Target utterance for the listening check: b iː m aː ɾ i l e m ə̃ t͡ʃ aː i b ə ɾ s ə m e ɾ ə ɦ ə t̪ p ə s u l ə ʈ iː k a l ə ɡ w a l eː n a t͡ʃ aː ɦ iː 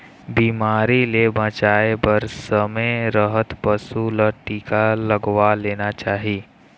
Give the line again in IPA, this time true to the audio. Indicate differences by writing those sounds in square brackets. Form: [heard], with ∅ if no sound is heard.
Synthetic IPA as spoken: b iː m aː ɾ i l e [b] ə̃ t͡ʃ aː [e] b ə ɾ s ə m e ɾ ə ɦ ə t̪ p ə s u l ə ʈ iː k a l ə ɡ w a l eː n a t͡ʃ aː ɦ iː